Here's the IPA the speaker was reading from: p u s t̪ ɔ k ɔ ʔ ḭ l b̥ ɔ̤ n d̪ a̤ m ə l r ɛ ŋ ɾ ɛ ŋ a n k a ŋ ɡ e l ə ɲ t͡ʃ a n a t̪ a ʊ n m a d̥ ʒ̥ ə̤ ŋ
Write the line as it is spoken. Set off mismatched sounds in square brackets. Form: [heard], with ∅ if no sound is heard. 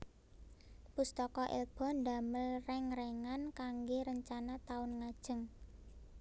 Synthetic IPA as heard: p u s t̪ ɔ k ɔ ʔ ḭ l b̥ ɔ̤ n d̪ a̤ m ə l r ɛ ŋ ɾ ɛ ŋ a n k a ŋ ɡ e [ɾ] ə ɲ t͡ʃ a n a t̪ a ʊ n [ŋ] a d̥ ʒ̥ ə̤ ŋ